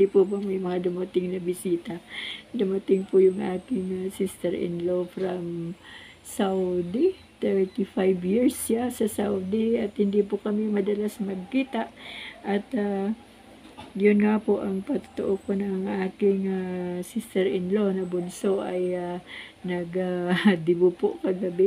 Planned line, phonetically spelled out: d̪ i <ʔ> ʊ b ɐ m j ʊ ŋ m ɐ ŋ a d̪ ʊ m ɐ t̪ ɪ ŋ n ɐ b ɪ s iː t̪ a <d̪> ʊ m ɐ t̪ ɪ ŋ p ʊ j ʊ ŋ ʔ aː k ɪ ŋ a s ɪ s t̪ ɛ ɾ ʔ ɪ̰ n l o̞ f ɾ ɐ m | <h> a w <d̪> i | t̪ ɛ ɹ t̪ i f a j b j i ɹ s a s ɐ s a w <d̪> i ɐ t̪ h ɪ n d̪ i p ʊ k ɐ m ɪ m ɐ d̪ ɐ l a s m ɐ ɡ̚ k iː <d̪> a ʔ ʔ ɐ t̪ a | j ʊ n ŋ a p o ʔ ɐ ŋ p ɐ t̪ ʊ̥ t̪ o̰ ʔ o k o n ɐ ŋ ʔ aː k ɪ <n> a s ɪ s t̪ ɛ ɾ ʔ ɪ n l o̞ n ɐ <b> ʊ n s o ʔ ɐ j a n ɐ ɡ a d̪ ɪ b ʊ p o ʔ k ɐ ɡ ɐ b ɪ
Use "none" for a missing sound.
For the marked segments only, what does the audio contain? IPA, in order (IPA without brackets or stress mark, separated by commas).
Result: p, d̪, s, d̪, d̪, t̪, ŋ, b